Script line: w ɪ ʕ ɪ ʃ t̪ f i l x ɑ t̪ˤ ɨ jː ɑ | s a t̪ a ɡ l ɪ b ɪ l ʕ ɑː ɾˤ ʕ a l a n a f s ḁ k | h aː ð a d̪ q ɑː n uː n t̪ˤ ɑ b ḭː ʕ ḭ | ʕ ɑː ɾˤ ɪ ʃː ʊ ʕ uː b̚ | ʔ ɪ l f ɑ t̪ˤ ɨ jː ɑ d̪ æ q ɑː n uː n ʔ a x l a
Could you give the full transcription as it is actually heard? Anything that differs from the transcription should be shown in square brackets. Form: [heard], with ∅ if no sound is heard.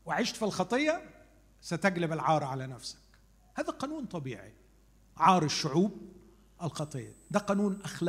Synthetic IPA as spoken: w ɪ ʕ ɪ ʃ t̪ f i l x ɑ t̪ˤ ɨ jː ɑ | s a t̪ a ɡ l ɪ b ɪ l ʕ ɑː ɾˤ ʕ a l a n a f s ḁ k | h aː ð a [∅] q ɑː n uː n t̪ˤ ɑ b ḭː ʕ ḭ | ʕ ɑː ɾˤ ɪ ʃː ʊ ʕ uː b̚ | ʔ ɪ l [x] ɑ t̪ˤ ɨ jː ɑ d̪ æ q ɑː n uː n ʔ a x l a